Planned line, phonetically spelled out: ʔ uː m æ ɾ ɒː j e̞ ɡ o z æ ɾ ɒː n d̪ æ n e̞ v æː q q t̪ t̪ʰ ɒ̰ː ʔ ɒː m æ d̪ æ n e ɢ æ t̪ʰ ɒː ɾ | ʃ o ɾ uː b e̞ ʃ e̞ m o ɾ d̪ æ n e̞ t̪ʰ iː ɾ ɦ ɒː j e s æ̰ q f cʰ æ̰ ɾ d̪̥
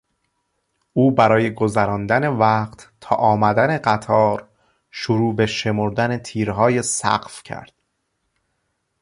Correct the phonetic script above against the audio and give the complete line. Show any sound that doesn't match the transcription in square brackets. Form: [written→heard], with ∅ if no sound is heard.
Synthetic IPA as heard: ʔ uː [m→b] æ ɾ ɒː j e̞ ɡ o z æ ɾ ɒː n d̪ æ n e̞ v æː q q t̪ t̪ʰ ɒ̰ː ʔ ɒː m æ d̪ æ n e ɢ æ t̪ʰ ɒː ɾ | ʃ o ɾ uː b e̞ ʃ e̞ m o ɾ d̪ æ n e̞ t̪ʰ iː ɾ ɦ ɒː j e s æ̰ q f cʰ æ̰ ɾ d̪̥

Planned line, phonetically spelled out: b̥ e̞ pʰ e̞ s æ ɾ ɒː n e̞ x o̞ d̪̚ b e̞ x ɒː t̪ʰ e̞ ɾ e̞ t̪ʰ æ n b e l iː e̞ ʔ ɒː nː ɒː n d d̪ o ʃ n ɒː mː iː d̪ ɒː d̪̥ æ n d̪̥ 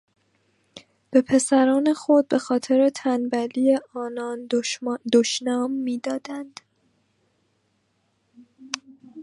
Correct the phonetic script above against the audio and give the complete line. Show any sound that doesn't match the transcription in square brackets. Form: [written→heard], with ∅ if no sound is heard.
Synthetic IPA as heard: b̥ e̞ pʰ e̞ s æ ɾ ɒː n e̞ x o̞ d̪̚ b e̞ x ɒː t̪ʰ e̞ ɾ e̞ t̪ʰ æ n b [e→æ] l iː e̞ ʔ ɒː [nː→n] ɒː n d d̪ o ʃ n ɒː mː iː d̪ ɒː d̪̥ æ n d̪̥

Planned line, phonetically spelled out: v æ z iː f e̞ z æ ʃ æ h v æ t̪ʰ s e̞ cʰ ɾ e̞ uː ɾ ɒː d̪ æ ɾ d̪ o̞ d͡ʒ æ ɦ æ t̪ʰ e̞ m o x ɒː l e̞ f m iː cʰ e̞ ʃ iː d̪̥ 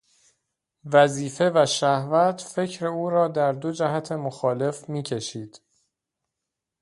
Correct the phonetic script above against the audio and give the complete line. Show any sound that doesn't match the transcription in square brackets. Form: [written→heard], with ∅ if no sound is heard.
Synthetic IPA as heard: v æ z iː f e̞ [z→v] æ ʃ æ h v æ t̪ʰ [s→f] e̞ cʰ ɾ e̞ uː ɾ ɒː d̪ æ ɾ d̪ o̞ d͡ʒ æ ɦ æ t̪ʰ e̞ m o x ɒː l e̞ f m iː cʰ e̞ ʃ iː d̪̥

